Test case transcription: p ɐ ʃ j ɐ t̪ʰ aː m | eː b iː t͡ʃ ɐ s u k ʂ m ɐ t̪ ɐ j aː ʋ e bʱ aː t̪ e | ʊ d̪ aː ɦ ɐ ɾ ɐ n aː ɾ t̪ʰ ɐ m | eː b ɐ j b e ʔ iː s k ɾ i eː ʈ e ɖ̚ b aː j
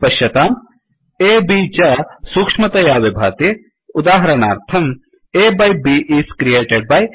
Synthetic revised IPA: p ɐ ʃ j ɐ t̪ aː m | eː b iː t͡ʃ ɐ s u k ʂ m ɐ t̪ ɐ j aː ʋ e bʱ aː t̪ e | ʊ d̪ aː ɦ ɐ ɾ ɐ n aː ɾ t̪ʰ ɐ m | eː b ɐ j b i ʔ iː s k ɾ i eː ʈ e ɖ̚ b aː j